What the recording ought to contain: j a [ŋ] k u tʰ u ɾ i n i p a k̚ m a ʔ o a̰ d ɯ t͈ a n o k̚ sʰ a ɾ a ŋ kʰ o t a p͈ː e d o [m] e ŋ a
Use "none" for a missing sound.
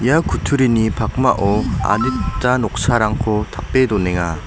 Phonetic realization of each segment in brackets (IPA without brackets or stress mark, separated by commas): none, n